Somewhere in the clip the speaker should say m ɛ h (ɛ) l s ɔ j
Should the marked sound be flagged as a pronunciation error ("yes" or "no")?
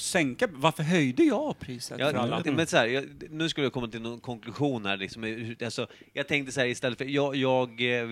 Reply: yes